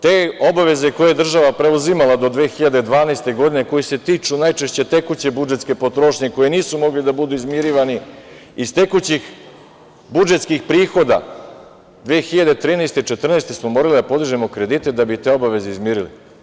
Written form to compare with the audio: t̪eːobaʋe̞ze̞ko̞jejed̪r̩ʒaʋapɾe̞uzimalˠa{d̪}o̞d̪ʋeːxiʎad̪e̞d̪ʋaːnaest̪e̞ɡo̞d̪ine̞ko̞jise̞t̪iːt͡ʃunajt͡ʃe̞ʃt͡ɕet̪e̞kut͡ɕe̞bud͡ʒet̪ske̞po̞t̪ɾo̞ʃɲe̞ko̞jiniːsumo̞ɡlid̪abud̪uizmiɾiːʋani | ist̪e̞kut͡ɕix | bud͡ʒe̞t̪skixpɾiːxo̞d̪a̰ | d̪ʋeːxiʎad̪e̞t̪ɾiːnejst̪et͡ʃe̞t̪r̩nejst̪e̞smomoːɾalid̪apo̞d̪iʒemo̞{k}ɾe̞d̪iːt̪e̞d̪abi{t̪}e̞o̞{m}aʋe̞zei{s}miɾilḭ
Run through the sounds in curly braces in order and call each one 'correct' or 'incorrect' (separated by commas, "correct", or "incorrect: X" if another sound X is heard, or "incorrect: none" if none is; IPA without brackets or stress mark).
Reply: correct, correct, correct, incorrect: b, incorrect: z